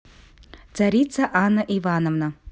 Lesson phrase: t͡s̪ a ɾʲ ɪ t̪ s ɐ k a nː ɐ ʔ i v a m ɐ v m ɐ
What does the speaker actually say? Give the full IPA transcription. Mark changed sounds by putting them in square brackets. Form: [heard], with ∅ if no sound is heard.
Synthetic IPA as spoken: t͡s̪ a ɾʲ [i] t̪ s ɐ [ʔ] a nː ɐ ʔ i v a [n] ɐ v [n] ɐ